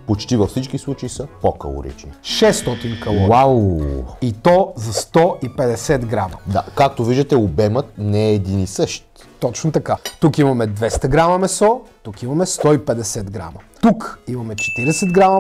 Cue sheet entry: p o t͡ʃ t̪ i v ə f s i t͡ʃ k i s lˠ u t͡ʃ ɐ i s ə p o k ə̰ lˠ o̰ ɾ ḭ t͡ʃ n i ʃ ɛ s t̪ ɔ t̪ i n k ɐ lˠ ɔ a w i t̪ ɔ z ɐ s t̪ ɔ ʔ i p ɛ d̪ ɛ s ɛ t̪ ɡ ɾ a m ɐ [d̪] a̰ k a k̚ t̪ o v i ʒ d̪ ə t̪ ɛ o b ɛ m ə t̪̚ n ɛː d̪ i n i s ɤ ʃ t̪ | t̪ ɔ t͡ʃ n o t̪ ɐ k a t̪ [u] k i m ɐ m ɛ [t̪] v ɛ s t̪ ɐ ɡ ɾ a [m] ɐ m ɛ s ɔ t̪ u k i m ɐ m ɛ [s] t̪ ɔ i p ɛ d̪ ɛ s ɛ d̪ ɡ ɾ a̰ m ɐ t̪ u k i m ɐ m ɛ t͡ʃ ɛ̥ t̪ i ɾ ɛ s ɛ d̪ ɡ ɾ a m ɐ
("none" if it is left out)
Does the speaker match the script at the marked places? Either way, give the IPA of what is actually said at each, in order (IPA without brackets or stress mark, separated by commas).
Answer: d̪, u, d̪, m, s